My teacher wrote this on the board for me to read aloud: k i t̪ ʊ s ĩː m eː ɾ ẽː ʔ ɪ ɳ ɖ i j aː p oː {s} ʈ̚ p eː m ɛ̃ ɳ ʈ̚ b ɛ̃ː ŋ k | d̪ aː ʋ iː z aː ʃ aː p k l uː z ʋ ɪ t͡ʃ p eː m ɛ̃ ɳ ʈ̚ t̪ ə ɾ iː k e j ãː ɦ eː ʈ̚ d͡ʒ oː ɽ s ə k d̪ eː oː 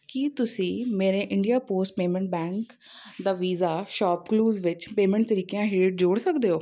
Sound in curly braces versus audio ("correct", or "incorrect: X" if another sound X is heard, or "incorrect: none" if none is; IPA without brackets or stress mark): correct